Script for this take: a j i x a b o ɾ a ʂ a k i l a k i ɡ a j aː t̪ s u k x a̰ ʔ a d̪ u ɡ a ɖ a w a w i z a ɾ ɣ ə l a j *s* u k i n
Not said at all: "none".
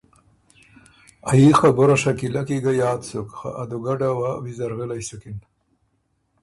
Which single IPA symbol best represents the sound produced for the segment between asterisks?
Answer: s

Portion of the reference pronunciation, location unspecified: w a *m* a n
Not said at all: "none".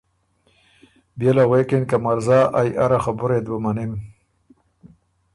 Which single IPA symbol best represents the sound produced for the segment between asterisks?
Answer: m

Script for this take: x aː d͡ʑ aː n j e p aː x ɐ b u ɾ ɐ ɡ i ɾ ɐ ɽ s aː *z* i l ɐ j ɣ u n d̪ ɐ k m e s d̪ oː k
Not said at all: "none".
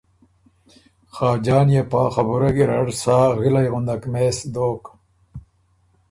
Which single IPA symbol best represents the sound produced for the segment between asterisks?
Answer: ɣ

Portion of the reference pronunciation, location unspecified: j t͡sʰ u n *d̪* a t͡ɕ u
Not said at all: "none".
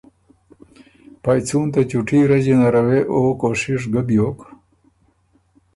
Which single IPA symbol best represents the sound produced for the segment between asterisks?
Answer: t̪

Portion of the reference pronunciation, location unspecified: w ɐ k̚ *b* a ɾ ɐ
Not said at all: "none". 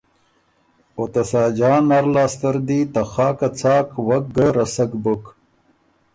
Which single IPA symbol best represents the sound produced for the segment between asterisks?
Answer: ɡ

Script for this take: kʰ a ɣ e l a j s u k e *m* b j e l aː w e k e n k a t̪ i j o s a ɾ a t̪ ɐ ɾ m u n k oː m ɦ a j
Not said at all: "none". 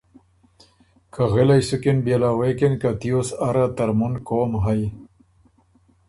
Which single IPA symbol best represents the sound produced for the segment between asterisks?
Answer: n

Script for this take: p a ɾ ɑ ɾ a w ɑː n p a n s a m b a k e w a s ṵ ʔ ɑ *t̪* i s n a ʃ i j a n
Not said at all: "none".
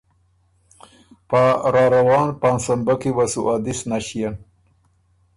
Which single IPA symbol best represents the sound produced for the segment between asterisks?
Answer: d̪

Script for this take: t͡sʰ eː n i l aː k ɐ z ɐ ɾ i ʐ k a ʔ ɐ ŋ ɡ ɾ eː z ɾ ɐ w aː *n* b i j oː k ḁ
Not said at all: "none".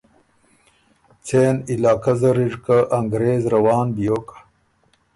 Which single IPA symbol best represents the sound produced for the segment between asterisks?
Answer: n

